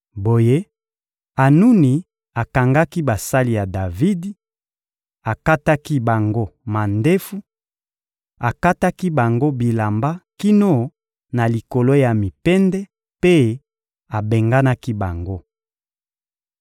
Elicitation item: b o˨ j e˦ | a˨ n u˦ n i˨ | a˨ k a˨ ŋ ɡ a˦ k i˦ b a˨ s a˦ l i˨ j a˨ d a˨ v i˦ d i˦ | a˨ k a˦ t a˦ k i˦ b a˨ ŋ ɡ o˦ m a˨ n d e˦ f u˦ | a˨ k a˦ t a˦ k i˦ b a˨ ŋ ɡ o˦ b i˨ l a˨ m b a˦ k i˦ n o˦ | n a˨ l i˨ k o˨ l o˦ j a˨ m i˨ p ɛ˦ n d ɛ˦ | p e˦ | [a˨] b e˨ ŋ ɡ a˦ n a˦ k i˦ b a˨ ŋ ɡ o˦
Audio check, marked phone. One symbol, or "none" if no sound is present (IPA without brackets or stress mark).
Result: a˨